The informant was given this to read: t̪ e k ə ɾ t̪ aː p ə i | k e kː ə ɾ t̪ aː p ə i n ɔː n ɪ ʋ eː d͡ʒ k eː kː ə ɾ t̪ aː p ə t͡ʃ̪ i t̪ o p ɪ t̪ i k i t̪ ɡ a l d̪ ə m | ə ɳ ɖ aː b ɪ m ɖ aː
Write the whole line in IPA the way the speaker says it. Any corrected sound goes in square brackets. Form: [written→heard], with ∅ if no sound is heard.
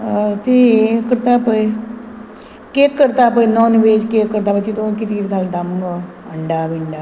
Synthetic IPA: t̪ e k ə ɾ t̪ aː p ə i | k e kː ə ɾ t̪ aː p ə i n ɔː n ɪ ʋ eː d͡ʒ k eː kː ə ɾ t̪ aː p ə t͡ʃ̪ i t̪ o [p→k] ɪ t̪ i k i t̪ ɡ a l d̪ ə m | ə ɳ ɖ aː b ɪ [m→ɳ] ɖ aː